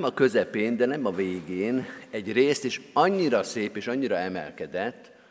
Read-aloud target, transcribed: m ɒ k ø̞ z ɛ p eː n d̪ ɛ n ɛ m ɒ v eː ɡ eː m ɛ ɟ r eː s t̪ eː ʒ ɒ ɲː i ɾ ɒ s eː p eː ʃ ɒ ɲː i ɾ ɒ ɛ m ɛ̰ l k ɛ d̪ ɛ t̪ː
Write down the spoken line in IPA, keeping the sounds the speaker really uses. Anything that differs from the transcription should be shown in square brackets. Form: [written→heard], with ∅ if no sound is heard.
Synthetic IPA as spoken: m ɒ k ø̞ z ɛ p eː n d̪ ɛ n ɛ m ɒ v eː ɡ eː [m→n] ɛ ɟ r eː s t̪ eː [ʒ→ʃ] ɒ ɲː i ɾ ɒ s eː p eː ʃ ɒ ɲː i ɾ ɒ ɛ m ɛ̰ l k ɛ d̪ ɛ t̪ː